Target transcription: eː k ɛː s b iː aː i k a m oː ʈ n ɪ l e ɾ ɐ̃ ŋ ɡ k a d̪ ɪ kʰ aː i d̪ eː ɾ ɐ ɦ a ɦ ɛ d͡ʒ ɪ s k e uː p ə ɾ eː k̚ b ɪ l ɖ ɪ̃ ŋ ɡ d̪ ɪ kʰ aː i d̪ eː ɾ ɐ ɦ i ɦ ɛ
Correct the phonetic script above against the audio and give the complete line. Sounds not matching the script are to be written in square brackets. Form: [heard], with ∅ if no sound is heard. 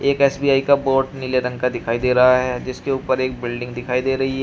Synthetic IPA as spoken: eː k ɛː s b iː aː i k a [b] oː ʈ n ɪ l e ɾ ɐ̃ ŋ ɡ k a d̪ ɪ kʰ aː i d̪ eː ɾ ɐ ɦ a ɦ ɛ d͡ʒ ɪ s k e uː p ə ɾ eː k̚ b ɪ l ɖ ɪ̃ ŋ ɡ d̪ ɪ kʰ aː i d̪ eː ɾ ɐ ɦ i ɦ ɛ

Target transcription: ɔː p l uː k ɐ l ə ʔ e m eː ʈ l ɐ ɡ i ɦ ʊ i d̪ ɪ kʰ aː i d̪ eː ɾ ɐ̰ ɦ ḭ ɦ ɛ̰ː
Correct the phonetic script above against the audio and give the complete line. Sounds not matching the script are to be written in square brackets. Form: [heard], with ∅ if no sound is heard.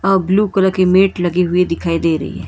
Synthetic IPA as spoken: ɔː [b] l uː k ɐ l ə [k] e m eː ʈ l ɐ ɡ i ɦ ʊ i d̪ ɪ kʰ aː i d̪ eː ɾ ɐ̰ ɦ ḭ ɦ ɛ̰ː

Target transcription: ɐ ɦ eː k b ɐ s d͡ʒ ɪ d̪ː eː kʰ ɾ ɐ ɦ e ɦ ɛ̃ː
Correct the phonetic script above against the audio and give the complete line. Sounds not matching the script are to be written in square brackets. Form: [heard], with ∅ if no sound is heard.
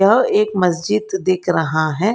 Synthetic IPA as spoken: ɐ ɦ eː k [m] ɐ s d͡ʒ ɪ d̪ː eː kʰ ɾ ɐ ɦ [a] ɦ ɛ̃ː

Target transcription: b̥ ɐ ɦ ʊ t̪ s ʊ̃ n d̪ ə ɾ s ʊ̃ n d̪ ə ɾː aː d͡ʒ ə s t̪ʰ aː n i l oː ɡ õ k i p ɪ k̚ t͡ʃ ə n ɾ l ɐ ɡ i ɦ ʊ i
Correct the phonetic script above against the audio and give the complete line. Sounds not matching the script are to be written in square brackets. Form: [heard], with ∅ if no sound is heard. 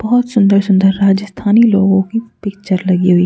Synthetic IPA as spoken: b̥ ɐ ɦ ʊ t̪ s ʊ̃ n d̪ ə ɾ s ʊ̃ n d̪ ə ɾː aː d͡ʒ ə s t̪ʰ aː n i l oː ɡ õ k i p ɪ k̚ t͡ʃ ə [∅] ɾ l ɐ ɡ i ɦ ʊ i

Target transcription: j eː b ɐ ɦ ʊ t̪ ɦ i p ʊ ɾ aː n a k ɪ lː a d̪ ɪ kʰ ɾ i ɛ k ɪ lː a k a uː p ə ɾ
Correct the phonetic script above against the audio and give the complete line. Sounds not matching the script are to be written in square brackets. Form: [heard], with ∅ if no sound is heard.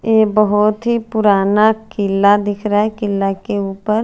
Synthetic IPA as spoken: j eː b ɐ ɦ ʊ t̪ ɦ i p ʊ ɾ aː n a k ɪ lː a d̪ ɪ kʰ ɾ [a] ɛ k ɪ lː a k [e] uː p ə ɾ

